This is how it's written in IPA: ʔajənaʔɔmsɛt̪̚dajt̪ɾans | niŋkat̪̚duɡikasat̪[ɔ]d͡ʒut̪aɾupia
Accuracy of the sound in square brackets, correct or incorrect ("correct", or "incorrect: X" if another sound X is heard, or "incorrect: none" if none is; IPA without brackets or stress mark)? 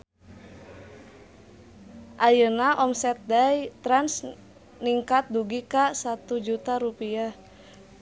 incorrect: u